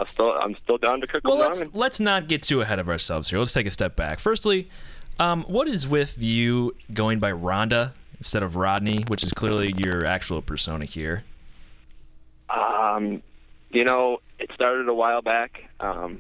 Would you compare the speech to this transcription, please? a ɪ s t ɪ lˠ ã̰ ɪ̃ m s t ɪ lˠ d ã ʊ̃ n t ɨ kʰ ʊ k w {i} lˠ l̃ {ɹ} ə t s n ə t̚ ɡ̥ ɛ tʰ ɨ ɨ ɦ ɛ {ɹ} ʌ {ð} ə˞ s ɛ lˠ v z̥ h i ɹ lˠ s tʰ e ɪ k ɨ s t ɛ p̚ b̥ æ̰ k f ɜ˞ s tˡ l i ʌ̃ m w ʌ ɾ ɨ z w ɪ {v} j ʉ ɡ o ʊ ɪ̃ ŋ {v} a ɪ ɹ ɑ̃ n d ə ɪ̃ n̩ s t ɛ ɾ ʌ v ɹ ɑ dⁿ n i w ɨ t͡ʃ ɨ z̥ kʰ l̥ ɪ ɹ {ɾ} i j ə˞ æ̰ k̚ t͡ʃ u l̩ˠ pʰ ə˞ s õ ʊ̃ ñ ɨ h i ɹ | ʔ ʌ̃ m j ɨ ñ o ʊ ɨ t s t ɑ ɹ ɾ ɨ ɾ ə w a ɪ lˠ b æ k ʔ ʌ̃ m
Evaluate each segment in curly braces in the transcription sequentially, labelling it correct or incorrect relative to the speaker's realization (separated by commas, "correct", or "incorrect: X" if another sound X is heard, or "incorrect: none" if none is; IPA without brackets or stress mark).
incorrect: ɛ, incorrect: l, incorrect: ɾ, incorrect: v, incorrect: ð, incorrect: b, incorrect: l